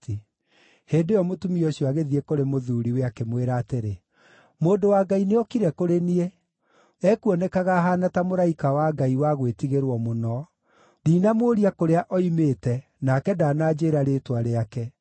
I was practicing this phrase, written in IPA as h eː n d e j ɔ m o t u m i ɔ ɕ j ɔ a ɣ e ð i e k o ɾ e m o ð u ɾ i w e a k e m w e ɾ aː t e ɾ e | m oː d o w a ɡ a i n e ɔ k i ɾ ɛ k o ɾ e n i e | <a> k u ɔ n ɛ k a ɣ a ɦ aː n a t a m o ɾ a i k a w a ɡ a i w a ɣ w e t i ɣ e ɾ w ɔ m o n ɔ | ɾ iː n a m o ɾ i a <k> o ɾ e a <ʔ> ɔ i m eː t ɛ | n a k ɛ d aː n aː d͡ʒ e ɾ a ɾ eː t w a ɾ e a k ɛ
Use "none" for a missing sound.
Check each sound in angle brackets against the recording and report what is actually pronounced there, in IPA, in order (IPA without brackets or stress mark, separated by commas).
ɛ, k, ʔ